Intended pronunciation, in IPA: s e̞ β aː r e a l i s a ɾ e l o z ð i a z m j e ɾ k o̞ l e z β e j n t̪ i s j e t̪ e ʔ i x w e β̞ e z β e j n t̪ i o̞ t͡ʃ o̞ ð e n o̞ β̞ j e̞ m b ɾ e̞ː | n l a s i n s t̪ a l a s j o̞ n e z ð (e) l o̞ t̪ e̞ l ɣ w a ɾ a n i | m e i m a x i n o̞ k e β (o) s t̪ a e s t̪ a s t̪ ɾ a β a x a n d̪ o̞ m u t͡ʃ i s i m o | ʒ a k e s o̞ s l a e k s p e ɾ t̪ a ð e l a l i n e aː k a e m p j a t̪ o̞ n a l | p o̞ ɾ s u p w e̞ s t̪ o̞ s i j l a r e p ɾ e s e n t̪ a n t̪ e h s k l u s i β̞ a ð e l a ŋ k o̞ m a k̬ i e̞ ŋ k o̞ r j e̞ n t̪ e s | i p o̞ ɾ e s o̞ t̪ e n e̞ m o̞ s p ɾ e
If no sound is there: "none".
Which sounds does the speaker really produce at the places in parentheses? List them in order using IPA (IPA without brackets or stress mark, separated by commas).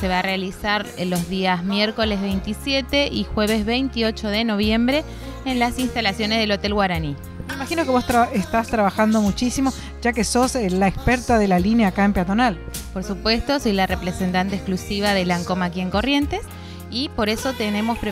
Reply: e, o